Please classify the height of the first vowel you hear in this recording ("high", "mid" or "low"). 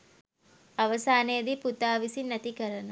low